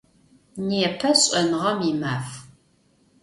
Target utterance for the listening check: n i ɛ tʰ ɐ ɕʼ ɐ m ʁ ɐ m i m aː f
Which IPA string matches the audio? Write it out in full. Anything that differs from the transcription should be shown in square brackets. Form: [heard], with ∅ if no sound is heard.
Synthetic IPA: n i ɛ [pʰ] ɐ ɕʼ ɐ [n] ʁ ɐ m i m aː f